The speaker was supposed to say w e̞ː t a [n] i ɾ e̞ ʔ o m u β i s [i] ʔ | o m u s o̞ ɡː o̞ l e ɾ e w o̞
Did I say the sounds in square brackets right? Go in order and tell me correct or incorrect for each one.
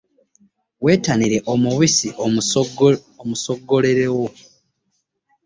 correct, correct

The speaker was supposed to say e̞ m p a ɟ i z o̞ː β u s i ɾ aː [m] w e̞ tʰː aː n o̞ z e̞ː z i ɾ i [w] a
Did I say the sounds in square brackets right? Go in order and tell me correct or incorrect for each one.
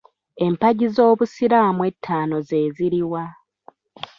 correct, correct

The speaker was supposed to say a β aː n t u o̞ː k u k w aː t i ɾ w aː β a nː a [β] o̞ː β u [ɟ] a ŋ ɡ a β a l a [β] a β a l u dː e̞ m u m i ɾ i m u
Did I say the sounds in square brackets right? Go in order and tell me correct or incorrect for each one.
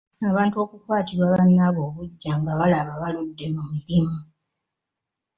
correct, incorrect: ɟː, correct

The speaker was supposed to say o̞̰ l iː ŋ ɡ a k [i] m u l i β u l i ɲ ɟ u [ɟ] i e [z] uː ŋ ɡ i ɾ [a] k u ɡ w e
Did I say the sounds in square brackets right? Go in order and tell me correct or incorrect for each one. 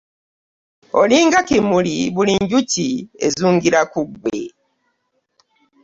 correct, incorrect: c, correct, correct

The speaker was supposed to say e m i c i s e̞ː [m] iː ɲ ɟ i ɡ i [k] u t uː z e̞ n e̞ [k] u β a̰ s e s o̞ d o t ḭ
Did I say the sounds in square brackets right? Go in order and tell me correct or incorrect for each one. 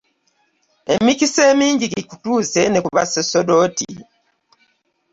correct, correct, correct

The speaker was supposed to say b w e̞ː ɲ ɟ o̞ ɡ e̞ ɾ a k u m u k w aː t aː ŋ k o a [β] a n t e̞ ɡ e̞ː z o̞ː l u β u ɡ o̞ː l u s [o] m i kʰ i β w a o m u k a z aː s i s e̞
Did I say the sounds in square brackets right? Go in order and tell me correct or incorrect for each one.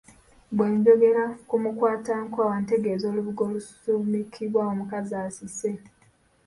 incorrect: w, incorrect: u

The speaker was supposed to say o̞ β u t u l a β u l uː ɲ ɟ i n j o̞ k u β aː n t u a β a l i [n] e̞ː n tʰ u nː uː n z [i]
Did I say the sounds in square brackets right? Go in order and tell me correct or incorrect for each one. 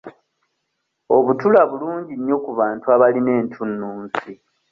correct, correct

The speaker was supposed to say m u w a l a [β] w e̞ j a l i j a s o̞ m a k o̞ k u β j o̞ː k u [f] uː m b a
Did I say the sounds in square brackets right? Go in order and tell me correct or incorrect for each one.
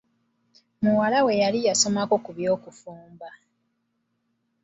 incorrect: none, correct

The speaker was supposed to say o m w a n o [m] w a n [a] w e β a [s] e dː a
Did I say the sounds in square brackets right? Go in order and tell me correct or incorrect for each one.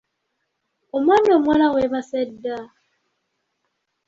correct, correct, correct

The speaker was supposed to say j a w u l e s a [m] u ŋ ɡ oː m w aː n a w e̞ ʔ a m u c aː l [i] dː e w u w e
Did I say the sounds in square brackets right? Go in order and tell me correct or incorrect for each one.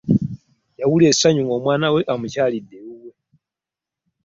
incorrect: ɲ, correct

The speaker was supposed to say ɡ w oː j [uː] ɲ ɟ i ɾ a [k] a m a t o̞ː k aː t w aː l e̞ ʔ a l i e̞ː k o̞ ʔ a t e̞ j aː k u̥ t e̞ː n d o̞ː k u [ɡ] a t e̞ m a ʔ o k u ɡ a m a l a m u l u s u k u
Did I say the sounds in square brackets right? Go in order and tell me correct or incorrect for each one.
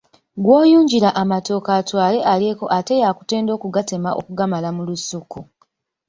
correct, incorrect: ʔ, correct

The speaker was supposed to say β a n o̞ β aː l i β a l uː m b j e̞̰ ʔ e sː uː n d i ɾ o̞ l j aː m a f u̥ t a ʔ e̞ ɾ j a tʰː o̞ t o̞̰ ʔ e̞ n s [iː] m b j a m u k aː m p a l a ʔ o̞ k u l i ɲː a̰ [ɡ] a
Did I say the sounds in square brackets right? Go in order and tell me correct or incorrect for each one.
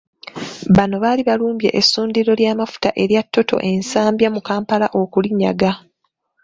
incorrect: aː, correct

